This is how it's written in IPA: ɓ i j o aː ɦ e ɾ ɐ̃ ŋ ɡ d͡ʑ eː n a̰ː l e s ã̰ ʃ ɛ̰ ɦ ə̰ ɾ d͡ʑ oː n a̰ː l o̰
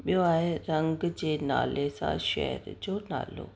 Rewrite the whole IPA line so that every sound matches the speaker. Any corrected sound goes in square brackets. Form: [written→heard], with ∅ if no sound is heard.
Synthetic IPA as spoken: ɓ i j o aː ɦ e ɾ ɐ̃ ŋ ɡ d͡ʑ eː n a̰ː l e s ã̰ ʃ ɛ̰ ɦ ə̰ ɾ d͡ʑ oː n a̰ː l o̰